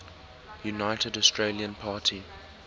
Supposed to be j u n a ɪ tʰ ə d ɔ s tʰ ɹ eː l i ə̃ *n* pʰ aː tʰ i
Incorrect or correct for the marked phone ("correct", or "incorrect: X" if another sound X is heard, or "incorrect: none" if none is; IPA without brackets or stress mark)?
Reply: correct